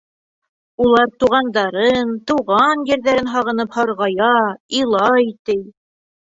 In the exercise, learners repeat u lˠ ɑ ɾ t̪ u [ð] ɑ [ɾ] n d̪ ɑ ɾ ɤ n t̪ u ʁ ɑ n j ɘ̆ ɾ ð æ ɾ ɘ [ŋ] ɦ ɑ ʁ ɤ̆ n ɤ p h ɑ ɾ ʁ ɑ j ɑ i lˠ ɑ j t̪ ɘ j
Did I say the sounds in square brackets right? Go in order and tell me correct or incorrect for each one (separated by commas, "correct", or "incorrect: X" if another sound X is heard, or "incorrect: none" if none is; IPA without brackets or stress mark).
incorrect: ʁ, incorrect: none, incorrect: n